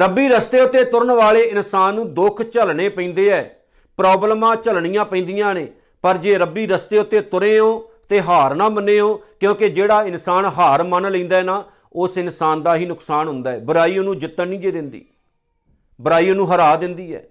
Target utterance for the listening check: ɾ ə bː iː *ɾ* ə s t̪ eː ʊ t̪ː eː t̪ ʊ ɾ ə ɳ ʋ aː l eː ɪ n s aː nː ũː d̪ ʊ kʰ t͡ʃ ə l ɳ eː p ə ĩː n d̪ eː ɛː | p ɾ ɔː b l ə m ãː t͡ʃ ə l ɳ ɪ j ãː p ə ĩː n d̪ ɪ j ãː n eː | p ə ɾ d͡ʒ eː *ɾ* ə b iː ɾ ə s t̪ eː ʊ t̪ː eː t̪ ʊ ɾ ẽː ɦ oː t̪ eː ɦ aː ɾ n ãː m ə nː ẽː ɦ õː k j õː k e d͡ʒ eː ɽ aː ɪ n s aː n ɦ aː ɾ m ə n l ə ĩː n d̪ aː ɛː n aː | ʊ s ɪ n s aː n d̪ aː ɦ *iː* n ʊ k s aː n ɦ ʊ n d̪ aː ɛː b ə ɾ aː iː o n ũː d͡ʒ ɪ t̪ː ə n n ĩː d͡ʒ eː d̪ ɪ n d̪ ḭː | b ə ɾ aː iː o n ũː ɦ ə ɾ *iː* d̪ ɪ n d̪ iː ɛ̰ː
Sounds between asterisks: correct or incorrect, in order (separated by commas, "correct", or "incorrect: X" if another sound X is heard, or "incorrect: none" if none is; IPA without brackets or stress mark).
correct, correct, correct, incorrect: aː